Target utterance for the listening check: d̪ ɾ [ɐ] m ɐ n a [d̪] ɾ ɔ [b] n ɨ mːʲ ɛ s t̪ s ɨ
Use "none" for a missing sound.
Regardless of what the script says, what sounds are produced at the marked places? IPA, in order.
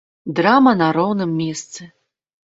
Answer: a, none, w

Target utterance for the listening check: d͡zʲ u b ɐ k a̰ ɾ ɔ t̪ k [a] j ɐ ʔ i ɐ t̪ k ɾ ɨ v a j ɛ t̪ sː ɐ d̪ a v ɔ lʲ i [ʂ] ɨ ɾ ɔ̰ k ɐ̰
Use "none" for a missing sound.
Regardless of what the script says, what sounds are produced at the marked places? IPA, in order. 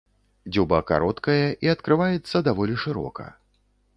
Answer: ɐ, ʂ

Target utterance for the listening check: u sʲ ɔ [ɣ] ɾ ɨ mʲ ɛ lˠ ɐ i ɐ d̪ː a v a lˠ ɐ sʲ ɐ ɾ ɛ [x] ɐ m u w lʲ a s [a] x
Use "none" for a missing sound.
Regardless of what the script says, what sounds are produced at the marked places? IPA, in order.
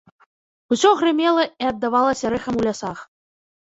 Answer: ɣ, x, a

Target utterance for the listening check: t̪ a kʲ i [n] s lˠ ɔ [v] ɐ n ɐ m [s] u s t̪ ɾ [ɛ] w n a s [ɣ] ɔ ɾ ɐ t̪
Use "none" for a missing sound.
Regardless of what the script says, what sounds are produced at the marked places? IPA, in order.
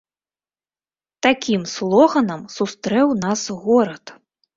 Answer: m, ɣ, s, ɛ, ɣ

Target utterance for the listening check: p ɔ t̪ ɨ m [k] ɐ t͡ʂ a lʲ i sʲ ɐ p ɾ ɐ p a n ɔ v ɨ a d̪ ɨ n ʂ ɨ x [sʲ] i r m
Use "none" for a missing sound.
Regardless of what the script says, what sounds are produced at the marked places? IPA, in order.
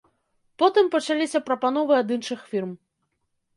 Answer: p, fʲ

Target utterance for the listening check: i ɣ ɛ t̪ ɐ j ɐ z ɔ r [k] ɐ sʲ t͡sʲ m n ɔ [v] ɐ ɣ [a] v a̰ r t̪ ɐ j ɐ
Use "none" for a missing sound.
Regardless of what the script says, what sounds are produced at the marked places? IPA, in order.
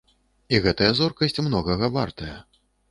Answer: k, ɣ, ɐ

